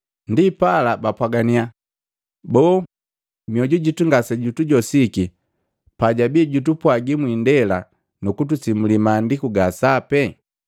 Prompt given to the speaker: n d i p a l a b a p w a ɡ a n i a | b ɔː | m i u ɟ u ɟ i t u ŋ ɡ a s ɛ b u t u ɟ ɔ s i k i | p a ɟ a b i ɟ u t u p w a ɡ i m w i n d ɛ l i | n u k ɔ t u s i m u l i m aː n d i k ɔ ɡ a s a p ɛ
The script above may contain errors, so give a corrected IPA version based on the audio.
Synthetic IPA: n d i p a l a b a p w a ɡ a n i a | b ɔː | m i ɔ ɟ u ɟ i t u ŋ ɡ a s ɛ ɟ u t u ɟ ɔ s i k i | p a ɟ a b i ɟ u t u p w a ɡ i m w i n d ɛ l a | n u k u t u s i m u l i m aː n d i k u ɡ a s a p ɛ